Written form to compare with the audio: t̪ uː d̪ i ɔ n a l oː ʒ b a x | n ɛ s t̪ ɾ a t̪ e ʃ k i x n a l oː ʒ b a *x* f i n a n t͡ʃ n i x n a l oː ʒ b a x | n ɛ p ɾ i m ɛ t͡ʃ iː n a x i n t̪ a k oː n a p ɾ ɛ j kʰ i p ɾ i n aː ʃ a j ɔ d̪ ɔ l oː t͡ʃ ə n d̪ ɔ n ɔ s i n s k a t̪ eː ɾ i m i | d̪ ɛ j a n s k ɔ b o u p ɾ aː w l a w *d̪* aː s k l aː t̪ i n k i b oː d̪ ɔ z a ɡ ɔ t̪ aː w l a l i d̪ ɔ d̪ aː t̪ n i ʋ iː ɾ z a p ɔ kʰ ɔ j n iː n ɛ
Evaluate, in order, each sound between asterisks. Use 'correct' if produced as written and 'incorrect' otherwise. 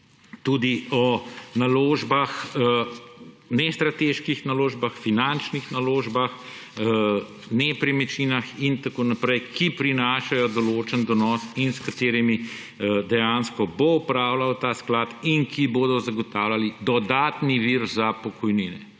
correct, incorrect

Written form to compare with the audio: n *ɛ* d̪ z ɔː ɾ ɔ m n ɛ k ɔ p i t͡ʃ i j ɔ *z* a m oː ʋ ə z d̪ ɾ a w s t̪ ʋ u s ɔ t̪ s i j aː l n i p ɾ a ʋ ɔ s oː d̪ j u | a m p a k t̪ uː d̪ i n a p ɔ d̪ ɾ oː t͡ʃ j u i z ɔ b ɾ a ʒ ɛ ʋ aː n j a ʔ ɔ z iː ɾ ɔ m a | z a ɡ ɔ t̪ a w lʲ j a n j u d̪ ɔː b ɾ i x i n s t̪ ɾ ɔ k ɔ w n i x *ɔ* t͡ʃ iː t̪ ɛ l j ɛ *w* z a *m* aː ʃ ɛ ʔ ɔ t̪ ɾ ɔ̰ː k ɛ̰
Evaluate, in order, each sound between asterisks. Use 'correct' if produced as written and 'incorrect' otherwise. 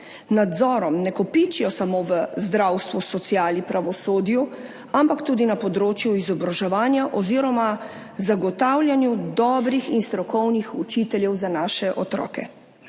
incorrect, incorrect, incorrect, correct, incorrect

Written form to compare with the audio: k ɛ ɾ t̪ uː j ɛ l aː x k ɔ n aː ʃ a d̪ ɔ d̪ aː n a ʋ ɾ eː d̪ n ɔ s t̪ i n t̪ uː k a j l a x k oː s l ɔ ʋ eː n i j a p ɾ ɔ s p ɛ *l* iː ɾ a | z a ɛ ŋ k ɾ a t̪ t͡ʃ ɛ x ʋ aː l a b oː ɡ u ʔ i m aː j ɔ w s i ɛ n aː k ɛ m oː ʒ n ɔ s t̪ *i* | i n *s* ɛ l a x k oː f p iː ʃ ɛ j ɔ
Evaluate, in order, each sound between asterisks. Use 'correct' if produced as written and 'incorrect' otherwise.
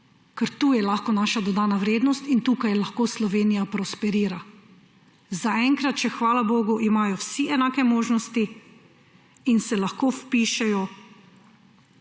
incorrect, correct, correct

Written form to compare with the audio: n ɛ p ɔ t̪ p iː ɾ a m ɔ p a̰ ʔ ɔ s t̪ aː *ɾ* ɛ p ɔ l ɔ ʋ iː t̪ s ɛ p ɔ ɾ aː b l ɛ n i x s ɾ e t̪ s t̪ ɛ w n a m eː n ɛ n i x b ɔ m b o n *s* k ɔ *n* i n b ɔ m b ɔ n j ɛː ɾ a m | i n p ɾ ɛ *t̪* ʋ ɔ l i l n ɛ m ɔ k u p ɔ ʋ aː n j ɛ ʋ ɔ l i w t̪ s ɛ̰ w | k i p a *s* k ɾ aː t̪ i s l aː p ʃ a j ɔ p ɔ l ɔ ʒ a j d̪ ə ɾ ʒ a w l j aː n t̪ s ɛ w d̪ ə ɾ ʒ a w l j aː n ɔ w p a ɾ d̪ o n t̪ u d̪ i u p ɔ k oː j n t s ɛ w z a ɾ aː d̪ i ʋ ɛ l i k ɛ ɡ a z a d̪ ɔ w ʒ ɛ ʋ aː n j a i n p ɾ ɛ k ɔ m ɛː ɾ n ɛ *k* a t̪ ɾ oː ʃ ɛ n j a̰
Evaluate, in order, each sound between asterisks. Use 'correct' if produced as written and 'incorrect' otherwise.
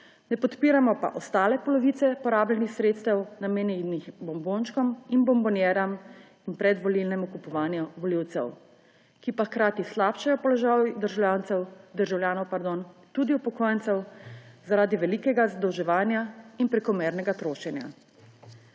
incorrect, incorrect, incorrect, incorrect, incorrect, incorrect

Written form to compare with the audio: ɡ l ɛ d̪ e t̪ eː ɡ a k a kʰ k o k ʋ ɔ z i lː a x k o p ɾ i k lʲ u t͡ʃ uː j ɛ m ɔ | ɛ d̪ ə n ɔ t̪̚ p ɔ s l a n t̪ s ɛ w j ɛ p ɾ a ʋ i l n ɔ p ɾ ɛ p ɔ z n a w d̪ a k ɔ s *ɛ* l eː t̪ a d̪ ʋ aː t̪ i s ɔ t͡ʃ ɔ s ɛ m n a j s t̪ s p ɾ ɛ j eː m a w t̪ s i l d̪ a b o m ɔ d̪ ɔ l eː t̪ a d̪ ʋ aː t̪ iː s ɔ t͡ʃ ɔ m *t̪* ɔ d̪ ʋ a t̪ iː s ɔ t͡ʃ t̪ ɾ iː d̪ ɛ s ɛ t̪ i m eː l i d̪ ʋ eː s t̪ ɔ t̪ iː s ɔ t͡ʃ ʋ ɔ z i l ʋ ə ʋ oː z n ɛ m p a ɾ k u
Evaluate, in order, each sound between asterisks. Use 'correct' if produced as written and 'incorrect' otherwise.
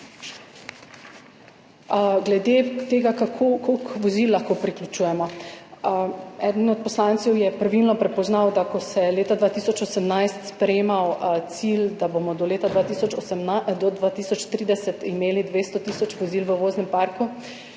correct, incorrect

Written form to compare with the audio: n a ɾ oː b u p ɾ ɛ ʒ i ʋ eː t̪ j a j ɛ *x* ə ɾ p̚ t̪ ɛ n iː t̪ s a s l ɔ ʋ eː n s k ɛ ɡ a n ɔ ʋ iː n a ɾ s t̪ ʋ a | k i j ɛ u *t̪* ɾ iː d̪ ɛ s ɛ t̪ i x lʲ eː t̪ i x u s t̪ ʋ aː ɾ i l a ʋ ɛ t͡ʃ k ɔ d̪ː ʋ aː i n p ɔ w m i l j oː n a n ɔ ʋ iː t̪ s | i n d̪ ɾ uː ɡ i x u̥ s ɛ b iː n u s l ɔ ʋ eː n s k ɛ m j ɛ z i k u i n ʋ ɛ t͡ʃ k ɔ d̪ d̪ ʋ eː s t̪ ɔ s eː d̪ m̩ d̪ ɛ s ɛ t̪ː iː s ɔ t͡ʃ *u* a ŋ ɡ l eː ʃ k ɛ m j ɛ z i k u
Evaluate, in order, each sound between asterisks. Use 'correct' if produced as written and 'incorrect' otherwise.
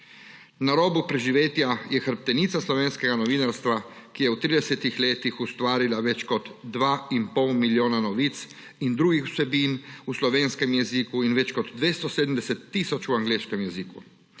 correct, correct, correct

